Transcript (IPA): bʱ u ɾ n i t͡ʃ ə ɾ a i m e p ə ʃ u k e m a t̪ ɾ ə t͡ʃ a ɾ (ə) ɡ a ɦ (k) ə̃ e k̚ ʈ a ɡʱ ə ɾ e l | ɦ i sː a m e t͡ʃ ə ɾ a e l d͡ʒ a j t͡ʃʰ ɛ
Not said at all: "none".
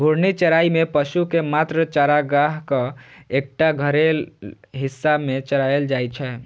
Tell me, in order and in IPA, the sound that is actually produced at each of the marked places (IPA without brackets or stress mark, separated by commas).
a, k